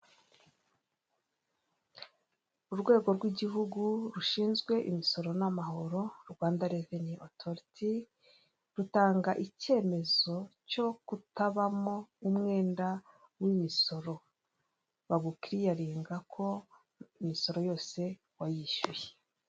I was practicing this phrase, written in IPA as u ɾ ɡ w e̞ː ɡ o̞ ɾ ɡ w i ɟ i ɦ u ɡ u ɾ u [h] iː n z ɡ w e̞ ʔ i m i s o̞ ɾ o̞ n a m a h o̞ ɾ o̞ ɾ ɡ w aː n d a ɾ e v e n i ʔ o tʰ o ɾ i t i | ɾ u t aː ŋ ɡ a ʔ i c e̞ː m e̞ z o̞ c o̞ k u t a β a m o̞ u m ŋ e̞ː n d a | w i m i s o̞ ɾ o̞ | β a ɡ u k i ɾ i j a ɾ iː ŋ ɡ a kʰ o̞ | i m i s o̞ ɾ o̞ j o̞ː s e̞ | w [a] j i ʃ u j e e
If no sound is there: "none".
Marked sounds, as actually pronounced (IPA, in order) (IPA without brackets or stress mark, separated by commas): ʃ, a